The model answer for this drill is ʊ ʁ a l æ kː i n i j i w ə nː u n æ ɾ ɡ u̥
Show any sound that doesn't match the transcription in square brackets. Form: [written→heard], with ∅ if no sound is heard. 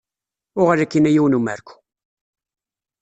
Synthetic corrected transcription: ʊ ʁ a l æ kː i n [i→æ] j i w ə [nː→n] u [n→m] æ ɾ [ɡ→k] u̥